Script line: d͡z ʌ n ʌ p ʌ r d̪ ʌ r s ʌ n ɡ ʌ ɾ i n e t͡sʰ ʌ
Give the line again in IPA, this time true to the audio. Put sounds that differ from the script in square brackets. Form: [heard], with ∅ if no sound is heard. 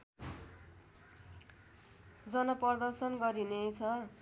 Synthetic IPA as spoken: d͡z ʌ n ʌ p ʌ r d̪ ʌ r s ʌ n ɡ ʌ ɾ i n e t͡sʰ ʌ